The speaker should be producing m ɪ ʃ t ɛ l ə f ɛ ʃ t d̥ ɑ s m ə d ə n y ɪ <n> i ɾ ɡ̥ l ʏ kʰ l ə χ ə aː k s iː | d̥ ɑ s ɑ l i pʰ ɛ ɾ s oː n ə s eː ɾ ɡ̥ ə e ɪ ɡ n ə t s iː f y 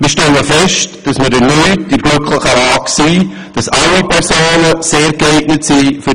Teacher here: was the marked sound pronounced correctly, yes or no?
no